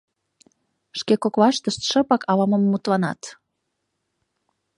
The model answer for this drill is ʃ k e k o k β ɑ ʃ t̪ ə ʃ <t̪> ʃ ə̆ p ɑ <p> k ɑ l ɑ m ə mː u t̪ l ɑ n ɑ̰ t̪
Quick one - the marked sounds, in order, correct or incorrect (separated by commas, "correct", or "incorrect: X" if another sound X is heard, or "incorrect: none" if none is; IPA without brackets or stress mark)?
correct, incorrect: none